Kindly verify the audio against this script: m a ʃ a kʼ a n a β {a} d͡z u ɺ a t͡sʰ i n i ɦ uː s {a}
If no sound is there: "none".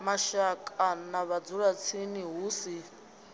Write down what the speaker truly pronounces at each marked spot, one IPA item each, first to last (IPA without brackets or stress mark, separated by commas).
a, i